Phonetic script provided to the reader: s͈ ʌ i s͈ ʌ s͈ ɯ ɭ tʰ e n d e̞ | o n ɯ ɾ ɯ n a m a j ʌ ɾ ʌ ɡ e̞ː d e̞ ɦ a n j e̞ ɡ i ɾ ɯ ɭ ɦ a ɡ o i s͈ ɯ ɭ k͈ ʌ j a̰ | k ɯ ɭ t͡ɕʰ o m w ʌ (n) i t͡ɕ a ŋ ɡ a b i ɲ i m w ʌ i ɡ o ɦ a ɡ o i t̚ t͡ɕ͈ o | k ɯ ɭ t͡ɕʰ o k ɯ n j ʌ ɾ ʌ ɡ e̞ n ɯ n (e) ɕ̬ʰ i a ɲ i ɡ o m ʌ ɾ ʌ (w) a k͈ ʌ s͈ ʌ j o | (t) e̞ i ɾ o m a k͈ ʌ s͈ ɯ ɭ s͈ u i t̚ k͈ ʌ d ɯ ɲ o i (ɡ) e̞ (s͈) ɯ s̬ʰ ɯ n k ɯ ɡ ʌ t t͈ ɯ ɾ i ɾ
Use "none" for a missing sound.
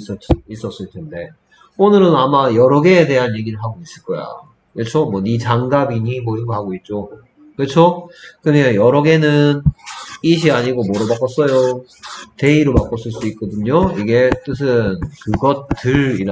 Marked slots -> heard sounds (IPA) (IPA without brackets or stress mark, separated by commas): n, i, b, t, ɡ, t͈